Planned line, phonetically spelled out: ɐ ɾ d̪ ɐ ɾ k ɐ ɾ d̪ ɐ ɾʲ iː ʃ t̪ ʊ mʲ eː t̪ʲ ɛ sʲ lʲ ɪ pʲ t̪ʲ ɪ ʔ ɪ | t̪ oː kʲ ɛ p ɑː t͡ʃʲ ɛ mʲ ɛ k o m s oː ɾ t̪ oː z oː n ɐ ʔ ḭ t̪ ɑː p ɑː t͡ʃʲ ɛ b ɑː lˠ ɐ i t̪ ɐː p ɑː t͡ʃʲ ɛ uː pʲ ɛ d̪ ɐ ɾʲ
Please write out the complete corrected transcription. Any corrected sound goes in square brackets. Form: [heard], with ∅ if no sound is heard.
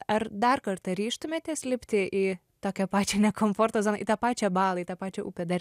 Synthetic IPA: ɐ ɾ d̪ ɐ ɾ k ɐ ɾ [t̪] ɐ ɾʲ iː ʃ t̪ ʊ mʲ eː t̪ʲ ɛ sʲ lʲ ɪ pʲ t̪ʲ ɪ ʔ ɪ | t̪ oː kʲ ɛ p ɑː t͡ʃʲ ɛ [nʲ] ɛ k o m [f] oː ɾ t̪ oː z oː n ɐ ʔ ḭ t̪ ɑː p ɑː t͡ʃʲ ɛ b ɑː lˠ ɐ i t̪ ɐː p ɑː t͡ʃʲ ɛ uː pʲ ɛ d̪ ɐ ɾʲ